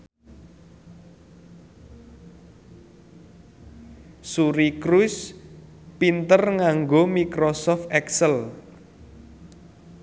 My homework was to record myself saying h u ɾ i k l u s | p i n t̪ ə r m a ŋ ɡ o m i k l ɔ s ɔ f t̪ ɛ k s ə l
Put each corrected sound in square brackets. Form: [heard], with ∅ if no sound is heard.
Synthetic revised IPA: [s] u ɾ i k [ɾ] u s | p i n t̪ ə r [ŋ] a ŋ ɡ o m i k [ɾ] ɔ s ɔ f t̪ ɛ k s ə l